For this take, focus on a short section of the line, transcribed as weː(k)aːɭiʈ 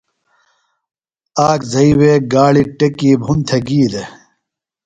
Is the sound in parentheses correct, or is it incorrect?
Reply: incorrect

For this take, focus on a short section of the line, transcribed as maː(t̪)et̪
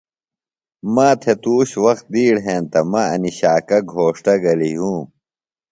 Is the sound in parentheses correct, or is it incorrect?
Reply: incorrect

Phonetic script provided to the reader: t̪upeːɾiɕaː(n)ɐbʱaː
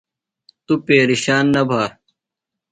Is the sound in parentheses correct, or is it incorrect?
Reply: incorrect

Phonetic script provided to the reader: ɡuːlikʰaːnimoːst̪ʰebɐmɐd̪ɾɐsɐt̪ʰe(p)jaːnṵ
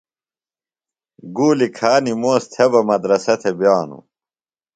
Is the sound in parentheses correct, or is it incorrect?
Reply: incorrect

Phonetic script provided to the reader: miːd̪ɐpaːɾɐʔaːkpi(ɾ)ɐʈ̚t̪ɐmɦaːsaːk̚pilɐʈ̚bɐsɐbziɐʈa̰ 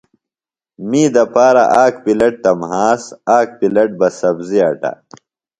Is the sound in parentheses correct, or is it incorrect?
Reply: incorrect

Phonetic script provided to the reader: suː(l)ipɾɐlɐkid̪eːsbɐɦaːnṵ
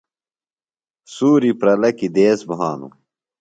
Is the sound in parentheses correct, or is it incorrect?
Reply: incorrect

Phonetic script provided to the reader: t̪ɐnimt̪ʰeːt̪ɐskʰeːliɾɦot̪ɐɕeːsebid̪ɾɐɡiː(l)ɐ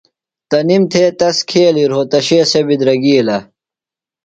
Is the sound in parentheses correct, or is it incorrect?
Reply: correct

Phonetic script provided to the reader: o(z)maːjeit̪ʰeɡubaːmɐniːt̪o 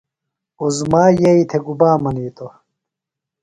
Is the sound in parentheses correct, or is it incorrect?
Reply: correct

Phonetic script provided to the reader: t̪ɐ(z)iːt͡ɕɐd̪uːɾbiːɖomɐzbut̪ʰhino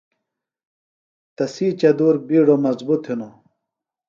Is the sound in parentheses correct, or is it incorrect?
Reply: incorrect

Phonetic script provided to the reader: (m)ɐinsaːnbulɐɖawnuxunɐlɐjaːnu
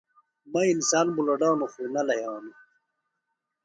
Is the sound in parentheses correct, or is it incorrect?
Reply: correct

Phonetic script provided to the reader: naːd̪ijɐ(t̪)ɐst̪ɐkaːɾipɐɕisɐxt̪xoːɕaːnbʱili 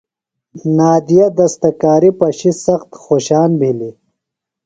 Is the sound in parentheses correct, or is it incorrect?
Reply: incorrect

